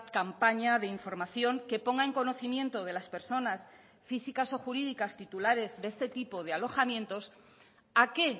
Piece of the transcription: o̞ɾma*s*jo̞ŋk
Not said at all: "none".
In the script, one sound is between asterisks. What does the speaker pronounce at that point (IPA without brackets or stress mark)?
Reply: θ